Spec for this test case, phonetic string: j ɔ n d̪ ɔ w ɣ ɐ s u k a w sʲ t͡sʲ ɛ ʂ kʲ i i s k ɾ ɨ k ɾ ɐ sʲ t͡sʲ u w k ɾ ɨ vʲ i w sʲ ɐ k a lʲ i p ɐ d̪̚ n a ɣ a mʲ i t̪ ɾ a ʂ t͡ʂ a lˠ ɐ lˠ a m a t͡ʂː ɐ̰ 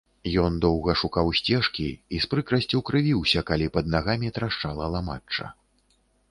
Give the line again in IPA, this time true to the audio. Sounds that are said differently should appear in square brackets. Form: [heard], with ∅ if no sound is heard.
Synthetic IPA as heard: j ɔ n d̪ ɔ w ɣ ɐ [ʂ] u k a w sʲ t͡sʲ ɛ ʂ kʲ i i s [p] ɾ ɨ k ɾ ɐ sʲ t͡sʲ u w k ɾ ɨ vʲ i w sʲ ɐ k a lʲ i p ɐ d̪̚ n a ɣ a mʲ i t̪ ɾ a ʂ t͡ʂ a lˠ ɐ lˠ a m a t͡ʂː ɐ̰